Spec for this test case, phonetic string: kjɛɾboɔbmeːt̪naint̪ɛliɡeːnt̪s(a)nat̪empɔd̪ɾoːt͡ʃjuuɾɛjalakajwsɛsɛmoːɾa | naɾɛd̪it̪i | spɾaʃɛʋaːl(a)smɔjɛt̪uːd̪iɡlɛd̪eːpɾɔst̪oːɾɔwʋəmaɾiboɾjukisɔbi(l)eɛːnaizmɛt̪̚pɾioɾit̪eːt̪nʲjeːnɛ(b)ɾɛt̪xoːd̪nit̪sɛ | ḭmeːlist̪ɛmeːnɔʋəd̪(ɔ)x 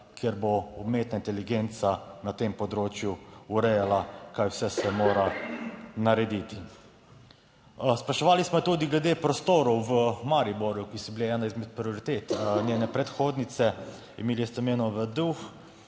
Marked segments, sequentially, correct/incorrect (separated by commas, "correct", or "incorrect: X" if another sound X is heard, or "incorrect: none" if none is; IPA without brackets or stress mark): correct, incorrect: i, correct, incorrect: p, incorrect: u